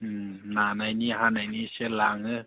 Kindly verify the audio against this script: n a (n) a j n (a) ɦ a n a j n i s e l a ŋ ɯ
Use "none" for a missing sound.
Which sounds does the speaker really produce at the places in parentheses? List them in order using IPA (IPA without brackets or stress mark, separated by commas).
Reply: n, i